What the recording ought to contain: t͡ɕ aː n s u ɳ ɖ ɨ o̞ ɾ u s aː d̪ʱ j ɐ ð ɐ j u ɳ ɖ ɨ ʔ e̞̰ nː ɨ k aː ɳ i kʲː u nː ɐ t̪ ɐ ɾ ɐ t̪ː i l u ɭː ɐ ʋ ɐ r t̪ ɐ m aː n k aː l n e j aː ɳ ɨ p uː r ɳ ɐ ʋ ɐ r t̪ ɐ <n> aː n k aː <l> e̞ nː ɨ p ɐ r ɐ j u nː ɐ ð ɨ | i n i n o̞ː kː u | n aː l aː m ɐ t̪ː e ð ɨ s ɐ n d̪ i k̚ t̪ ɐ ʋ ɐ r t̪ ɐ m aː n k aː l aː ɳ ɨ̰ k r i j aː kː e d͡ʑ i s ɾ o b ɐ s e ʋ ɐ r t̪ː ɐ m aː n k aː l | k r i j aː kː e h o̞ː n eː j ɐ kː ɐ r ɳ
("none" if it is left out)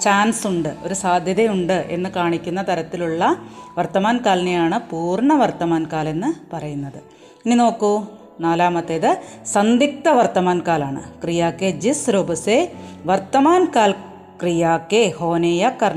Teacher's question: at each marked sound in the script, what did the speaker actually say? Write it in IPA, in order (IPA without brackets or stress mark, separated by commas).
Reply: m, l